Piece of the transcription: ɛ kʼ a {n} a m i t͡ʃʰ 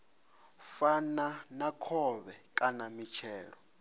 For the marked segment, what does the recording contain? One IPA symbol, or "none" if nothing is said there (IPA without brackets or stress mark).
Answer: n